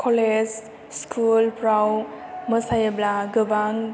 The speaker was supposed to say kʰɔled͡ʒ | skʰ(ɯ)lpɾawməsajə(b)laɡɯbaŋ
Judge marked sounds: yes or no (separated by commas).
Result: no, yes